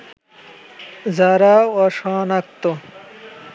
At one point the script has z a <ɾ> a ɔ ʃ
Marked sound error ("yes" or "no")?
no